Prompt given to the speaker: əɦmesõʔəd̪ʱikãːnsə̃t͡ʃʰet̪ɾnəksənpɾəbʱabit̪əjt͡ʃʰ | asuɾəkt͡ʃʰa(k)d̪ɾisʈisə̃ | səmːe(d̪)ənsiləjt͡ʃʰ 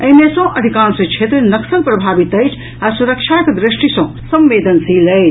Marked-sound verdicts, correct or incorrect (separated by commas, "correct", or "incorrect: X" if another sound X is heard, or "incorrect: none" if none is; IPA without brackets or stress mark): correct, correct